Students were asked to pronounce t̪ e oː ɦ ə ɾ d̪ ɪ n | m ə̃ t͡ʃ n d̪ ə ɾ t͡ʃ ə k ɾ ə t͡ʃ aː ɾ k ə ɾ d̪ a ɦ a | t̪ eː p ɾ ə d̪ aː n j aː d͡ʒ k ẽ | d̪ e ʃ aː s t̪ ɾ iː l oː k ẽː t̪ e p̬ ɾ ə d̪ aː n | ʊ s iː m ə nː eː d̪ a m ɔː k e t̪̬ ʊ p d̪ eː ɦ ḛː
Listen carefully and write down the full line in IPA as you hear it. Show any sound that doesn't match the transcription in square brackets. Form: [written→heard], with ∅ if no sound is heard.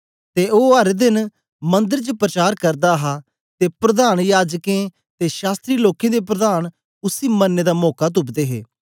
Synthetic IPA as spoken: t̪ e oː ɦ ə ɾ d̪ ɪ n | m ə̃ [t͡ʃ→∅] n d̪ ə ɾ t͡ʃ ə [k→p] ɾ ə t͡ʃ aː ɾ k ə ɾ d̪ a ɦ a | t̪ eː p ɾ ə d̪ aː n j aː d͡ʒ k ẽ | [d̪→t̪] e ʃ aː s t̪ ɾ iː l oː k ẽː [t̪→d̪] e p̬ ɾ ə d̪ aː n | ʊ s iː m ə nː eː d̪ a m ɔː k [e→a] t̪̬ ʊ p d̪ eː ɦ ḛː

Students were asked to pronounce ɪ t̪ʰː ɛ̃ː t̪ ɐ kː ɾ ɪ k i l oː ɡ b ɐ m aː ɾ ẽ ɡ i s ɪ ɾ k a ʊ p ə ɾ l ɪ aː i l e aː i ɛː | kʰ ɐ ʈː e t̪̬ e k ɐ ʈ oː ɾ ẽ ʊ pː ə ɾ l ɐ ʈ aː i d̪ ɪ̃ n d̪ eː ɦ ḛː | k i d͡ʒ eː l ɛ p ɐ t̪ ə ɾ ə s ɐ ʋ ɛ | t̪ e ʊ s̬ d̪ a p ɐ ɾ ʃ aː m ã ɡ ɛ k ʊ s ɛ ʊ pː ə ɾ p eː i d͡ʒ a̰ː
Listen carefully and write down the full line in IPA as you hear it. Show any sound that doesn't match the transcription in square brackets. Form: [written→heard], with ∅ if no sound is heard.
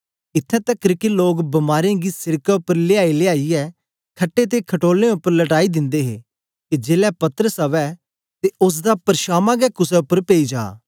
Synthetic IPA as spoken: ɪ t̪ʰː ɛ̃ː t̪ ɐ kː ɾ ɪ k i l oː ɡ b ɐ m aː ɾ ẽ ɡ i s ɪ ɾ k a ʊ p ə ɾ l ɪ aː i l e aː i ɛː | kʰ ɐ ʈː e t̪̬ e [k→kʰ] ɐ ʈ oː [ɾ→l] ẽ ʊ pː ə ɾ l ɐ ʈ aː i d̪ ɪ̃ n d̪ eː ɦ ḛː | k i d͡ʒ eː l ɛ p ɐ t̪ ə ɾ ə s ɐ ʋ ɛ | t̪ e ʊ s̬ d̪ a p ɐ ɾ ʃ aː m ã ɡ ɛ k ʊ s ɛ ʊ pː ə ɾ p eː i d͡ʒ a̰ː

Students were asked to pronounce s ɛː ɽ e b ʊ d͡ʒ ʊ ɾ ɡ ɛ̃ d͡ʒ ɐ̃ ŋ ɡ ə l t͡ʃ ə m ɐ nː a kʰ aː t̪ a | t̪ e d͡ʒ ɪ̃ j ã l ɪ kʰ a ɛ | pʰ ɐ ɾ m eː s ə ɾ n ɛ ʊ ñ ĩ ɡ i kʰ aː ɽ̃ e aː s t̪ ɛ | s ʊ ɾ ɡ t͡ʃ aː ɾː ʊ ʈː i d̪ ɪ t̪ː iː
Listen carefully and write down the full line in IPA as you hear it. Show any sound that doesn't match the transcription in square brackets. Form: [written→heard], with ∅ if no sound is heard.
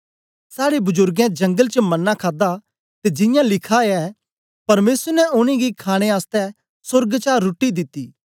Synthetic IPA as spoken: s [ɛː→aː] ɽ e b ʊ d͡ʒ ʊ ɾ ɡ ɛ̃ d͡ʒ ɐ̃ ŋ ɡ ə l t͡ʃ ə m ɐ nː a kʰ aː [t̪→d̪] a | t̪ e d͡ʒ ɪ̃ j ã l ɪ kʰ a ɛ | [pʰ→p] ɐ ɾ m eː s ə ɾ n ɛ ʊ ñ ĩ ɡ i kʰ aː ɽ̃ e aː s t̪ ɛ | s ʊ ɾ ɡ t͡ʃ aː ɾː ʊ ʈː i d̪ ɪ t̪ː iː

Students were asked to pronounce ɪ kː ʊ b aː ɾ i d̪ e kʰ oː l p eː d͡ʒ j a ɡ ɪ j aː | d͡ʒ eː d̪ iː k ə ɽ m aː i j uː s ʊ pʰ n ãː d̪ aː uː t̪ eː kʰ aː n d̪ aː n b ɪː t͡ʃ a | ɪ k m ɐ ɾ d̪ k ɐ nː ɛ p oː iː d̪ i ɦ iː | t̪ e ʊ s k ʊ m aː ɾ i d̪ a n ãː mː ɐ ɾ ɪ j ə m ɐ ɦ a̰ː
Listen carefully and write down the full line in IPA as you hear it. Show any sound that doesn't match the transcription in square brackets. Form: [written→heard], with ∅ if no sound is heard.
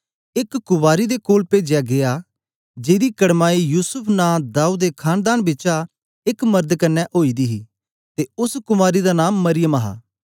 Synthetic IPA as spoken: ɪ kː ʊ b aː ɾ i d̪ e [kʰ→k] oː l p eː d͡ʒ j a ɡ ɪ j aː | d͡ʒ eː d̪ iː k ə ɽ m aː i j uː s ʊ pʰ n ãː d̪ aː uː [t̪→d̪] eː kʰ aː n d̪ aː n b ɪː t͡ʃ a | ɪ k m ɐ ɾ d̪ k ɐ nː ɛ [p→ʔ] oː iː d̪ i ɦ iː | t̪ e ʊ s k ʊ m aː ɾ i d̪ a n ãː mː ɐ ɾ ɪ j ə m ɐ ɦ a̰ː

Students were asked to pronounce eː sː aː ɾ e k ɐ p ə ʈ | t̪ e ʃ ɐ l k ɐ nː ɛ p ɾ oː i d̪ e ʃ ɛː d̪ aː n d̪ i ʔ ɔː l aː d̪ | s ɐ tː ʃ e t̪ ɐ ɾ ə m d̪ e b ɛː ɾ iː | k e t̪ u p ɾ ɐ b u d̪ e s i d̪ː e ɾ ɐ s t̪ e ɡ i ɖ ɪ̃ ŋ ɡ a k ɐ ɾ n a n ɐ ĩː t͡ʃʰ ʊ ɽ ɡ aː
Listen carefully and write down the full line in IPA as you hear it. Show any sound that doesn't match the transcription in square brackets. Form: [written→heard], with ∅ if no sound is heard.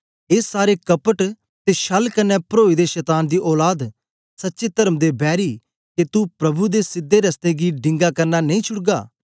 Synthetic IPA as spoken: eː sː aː ɾ e k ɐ p ə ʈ | t̪ e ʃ ɐ l k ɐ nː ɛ p ɾ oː i d̪ e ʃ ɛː [d̪→t̪] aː n d̪ i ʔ ɔː l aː d̪ | s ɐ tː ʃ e t̪ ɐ ɾ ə m d̪ e b ɛː ɾ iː | k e t̪ u p ɾ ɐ b u d̪ e s [i→ɪ] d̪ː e ɾ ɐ s t̪ e ɡ i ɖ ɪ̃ ŋ ɡ a k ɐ ɾ n a n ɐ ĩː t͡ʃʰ ʊ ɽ ɡ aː

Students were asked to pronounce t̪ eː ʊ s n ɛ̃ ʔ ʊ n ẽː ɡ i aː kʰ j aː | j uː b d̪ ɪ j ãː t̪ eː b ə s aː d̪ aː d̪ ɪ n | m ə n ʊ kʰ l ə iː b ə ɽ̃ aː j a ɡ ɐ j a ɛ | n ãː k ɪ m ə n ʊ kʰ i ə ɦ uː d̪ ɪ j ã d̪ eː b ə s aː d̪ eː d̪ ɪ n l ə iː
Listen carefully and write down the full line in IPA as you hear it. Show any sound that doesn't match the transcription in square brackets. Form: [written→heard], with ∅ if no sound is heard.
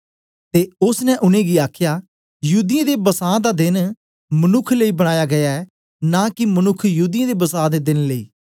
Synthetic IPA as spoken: t̪ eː ʊ s n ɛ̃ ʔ ʊ n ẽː ɡ i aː kʰ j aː | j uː [b→∅] d̪ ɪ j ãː [t̪→d̪] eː b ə s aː d̪ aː d̪ ɪ n | m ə n ʊ kʰ l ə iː b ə ɽ̃ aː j a ɡ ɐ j a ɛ | n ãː k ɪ m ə n ʊ kʰ [i→j] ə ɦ uː d̪ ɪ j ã d̪ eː b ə s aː d̪ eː d̪ ɪ n l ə iː

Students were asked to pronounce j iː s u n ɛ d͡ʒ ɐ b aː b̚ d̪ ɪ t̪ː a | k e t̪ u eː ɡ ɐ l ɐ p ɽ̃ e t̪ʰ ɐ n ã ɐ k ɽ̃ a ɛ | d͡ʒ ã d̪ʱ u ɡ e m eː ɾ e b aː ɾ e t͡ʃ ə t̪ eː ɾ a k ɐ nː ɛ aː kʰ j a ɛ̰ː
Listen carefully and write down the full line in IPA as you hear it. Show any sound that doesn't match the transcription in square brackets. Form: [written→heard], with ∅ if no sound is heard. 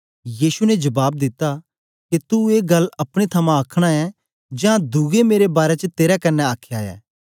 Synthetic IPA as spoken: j iː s u n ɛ d͡ʒ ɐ b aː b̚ d̪ ɪ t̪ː a | k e t̪ u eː ɡ ɐ l ɐ p ɽ̃ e t̪ʰ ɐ [n→m] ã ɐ [k→kʰ] ɽ̃ a ɛ | d͡ʒ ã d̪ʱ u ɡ e m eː ɾ e b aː ɾ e t͡ʃ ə t̪ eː ɾ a k ɐ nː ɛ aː kʰ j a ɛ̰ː

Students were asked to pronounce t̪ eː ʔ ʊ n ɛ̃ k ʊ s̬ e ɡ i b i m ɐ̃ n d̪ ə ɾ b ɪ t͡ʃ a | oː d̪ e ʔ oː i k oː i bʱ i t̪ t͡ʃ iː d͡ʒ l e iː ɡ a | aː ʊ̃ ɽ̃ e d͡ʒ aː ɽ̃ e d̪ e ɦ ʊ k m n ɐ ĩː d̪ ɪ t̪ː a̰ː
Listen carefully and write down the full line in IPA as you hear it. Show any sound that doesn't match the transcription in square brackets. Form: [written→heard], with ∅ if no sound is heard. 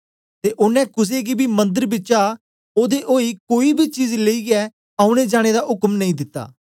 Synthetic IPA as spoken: t̪ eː ʔ ʊ n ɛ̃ k ʊ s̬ e ɡ i b i m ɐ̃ n d̪ ə ɾ b ɪ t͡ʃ a | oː d̪ e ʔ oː i k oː i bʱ i [t̪→∅] t͡ʃ iː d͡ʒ l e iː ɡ [a→ɛ] | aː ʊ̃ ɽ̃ e d͡ʒ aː ɽ̃ e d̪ [e→a] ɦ ʊ k m n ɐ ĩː d̪ ɪ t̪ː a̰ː

